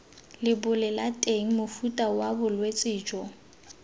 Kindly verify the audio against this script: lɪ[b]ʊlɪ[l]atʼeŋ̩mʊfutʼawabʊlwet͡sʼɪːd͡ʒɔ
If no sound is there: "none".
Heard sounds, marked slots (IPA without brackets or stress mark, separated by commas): b, l